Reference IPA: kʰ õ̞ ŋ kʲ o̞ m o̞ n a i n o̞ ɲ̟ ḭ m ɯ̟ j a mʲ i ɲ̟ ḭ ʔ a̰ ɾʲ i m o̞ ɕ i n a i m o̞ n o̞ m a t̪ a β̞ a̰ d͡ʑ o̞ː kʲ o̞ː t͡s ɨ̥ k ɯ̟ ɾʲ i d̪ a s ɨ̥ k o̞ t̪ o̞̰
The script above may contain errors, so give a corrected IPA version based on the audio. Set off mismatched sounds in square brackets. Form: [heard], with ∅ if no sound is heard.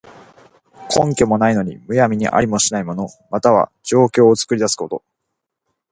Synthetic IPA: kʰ õ̞ ŋ kʲ o̞ m o̞ n a i n o̞ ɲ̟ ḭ m ɯ̟ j a mʲ i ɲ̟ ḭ ʔ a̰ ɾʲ i m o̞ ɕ i n a i m o̞ n o̞ m a t̪ a β̞ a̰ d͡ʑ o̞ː kʲ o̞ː t͡s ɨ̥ k ɯ̟ ɾʲ i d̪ a s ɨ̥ k o̞ t̪ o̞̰